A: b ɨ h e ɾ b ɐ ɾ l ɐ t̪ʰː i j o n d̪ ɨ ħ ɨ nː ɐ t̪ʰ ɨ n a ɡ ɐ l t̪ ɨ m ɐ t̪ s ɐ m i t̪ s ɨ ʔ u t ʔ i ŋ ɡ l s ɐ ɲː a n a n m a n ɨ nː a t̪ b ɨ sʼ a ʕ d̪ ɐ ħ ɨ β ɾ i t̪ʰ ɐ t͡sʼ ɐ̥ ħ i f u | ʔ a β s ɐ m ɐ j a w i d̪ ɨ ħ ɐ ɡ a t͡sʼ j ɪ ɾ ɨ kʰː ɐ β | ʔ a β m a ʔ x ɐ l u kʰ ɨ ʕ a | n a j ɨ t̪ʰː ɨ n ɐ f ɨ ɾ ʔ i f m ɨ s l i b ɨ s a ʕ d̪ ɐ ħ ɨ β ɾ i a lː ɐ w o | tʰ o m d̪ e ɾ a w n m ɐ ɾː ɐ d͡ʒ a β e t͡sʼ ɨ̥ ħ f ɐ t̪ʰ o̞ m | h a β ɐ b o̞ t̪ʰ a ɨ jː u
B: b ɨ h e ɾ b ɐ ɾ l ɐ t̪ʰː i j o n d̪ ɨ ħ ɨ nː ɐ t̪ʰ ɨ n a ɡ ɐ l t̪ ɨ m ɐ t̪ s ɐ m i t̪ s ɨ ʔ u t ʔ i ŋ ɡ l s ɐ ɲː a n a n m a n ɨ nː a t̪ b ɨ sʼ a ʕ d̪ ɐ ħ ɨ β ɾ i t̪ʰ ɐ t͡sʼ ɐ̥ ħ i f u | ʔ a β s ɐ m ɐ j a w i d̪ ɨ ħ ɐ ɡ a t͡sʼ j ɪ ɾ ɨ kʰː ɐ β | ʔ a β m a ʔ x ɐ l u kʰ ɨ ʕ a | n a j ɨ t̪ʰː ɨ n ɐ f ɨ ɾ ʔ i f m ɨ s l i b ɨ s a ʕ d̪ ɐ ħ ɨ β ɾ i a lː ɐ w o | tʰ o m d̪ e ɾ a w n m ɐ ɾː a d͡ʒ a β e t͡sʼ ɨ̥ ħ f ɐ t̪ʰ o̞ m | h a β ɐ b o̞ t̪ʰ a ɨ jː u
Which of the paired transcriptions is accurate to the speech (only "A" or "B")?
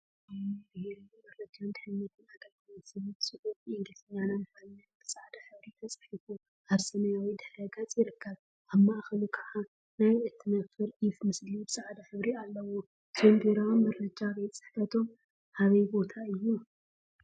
A